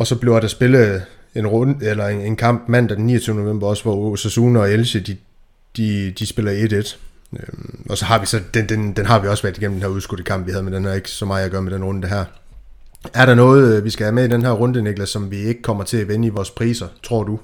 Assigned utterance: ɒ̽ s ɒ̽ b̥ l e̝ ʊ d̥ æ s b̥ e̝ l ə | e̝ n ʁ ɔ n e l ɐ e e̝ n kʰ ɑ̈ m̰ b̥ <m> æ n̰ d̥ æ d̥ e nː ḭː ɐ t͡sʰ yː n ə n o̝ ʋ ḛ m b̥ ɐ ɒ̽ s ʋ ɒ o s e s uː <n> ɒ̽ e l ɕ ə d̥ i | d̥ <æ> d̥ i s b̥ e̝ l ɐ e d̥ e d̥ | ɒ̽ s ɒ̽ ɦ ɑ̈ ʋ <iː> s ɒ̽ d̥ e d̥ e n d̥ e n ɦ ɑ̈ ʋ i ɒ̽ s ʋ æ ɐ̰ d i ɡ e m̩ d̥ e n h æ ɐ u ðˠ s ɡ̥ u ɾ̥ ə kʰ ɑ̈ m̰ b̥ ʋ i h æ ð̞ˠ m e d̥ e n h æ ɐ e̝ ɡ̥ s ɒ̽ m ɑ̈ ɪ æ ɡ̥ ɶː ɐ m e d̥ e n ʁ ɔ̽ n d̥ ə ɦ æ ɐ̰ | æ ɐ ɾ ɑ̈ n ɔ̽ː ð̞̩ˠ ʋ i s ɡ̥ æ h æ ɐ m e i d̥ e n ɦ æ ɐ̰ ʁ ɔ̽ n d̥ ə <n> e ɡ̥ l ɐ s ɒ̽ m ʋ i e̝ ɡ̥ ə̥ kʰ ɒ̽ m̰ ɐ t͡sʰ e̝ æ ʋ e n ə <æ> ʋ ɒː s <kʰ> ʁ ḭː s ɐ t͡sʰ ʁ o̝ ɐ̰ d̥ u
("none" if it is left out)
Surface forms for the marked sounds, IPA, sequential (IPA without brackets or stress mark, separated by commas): m, n, i, i, n, i, pʰ